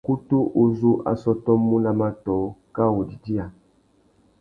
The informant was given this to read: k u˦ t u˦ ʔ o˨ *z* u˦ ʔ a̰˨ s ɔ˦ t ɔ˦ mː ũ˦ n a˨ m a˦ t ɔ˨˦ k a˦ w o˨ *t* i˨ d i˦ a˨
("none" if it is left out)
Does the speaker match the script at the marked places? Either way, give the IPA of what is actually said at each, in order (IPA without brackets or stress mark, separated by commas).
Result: z, d